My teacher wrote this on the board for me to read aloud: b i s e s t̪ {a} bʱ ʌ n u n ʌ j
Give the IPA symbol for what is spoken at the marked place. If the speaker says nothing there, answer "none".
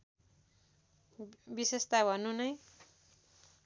a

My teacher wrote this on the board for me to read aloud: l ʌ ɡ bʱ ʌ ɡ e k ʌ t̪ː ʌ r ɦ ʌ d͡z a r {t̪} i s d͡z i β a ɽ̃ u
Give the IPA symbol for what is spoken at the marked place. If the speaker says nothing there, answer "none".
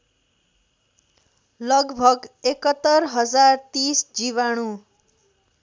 t̪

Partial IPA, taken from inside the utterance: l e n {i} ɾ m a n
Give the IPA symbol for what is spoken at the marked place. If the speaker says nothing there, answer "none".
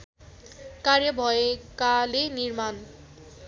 i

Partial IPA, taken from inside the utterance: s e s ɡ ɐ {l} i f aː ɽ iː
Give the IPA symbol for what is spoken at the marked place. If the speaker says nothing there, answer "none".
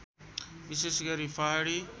ɾ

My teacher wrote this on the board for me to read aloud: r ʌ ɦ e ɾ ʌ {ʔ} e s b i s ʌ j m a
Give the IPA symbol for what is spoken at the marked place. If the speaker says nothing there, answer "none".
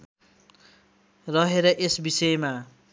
ʔ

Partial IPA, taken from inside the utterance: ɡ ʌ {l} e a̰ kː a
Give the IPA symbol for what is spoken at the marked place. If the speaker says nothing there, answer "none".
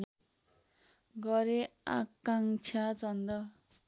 ɾ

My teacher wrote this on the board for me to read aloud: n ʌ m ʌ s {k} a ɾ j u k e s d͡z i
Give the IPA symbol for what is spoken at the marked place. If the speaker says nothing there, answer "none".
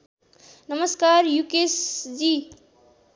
k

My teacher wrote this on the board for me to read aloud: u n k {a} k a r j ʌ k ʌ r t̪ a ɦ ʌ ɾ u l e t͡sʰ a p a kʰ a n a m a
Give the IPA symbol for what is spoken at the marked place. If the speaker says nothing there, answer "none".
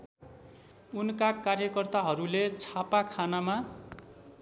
a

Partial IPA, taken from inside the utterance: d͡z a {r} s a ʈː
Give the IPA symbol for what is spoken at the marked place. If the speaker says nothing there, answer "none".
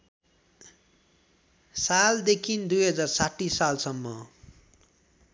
r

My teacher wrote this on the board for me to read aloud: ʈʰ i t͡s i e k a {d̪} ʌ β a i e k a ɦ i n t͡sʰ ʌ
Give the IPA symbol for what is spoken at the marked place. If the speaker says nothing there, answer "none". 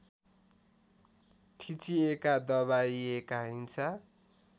d̪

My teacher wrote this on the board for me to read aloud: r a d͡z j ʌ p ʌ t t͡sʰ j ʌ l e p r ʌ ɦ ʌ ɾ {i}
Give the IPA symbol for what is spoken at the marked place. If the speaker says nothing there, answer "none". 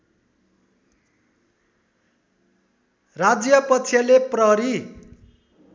i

